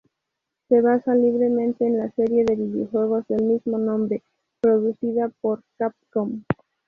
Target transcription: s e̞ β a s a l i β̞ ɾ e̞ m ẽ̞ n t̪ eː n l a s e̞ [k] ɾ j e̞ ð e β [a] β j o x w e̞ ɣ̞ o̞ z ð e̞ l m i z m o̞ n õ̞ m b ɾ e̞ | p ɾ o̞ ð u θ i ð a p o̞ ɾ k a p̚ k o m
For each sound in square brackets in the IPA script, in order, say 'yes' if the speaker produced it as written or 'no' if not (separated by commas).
no, no